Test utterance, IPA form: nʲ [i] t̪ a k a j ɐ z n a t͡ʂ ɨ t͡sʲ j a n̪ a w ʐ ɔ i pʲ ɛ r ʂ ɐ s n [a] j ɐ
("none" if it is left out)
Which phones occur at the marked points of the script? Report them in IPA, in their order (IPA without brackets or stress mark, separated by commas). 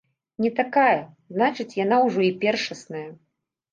ɛ, ɐ